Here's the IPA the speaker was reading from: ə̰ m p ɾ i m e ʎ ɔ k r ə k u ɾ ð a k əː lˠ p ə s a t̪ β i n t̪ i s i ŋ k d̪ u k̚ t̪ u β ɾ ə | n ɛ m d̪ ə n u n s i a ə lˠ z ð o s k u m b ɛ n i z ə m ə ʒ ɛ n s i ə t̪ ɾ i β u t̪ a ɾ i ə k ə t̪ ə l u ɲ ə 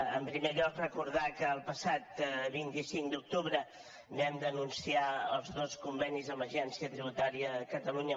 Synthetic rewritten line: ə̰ m p ɾ i m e ʎ ɔ k r ə k u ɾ ð a k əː lˠ p ə s a t̪ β i n t̪ i s i ŋ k d̪ u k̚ t̪ u β ɾ ə | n ɛ m d̪ ə n u n s i a ə lˠ z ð o s k u m b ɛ n i z ə m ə ʒ ɛ n s i ə t̪ ɾ i β u t̪ a ɾ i ə k ə t̪ ə l u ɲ ə